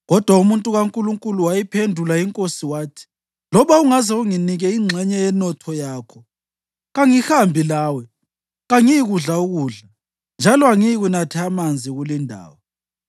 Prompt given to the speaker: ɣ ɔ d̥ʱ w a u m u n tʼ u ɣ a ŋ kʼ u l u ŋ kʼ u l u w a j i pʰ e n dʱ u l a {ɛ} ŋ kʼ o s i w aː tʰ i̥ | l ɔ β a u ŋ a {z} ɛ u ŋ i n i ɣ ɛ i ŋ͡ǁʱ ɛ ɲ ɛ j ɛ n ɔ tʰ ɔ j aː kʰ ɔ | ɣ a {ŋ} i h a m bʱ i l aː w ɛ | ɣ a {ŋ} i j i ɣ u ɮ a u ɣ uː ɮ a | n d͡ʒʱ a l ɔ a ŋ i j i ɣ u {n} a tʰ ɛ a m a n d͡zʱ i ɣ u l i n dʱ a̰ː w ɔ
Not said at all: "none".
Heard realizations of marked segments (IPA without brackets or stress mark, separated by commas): i, z, ŋ, ŋ, n